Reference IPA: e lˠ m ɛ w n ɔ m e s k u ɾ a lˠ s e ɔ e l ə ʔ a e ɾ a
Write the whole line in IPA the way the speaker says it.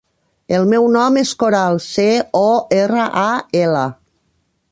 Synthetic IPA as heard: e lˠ m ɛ w n ɔ m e s k o ɾ a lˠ s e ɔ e r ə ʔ a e l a